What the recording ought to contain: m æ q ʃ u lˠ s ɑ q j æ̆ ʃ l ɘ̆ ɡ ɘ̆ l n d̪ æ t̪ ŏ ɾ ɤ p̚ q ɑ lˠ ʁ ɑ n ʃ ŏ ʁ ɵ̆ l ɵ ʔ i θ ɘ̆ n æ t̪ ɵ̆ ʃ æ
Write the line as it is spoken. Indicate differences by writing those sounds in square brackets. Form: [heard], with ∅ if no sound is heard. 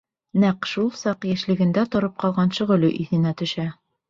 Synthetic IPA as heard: [n] æ q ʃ u lˠ s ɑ q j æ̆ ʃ l ɘ̆ ɡ ɘ̆ [∅] n d̪ æ t̪ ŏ ɾ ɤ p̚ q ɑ lˠ ʁ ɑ n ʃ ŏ ʁ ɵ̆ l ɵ ʔ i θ ɘ̆ n æ t̪ ɵ̆ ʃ æ